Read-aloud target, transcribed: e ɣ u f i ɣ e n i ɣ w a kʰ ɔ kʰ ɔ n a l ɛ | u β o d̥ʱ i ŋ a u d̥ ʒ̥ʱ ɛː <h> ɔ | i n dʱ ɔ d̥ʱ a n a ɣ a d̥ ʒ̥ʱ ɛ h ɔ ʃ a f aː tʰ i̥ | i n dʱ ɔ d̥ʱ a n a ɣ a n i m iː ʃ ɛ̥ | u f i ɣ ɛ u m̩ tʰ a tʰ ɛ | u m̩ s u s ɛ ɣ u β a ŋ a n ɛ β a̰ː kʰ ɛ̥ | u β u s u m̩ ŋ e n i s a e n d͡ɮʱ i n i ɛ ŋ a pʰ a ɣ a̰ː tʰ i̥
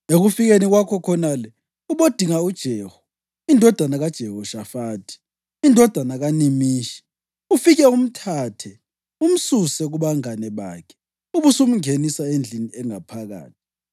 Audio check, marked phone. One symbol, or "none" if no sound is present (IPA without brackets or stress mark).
h